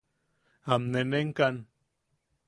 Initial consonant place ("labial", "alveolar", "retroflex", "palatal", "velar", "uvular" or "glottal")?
labial